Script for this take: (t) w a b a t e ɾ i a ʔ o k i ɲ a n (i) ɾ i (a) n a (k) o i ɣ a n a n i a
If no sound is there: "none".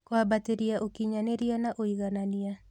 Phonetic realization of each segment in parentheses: k, e, a, ʔ

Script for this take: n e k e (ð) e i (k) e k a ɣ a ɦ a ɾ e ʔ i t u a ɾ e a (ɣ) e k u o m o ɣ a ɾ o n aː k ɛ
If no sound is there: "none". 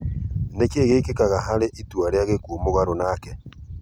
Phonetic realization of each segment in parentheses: ɣ, k, ɣ

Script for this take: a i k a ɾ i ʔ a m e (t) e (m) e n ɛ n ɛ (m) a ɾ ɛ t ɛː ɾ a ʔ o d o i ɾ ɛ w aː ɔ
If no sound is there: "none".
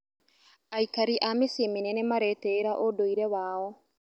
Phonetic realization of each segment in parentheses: s, m, m

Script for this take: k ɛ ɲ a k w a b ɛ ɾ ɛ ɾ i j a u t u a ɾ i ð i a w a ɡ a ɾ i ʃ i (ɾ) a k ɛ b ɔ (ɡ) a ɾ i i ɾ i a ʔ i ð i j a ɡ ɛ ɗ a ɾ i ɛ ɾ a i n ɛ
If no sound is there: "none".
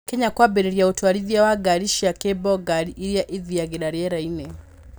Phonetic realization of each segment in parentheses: none, ɡ

